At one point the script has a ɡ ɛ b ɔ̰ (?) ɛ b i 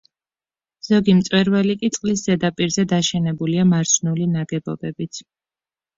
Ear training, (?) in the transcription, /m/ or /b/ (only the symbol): b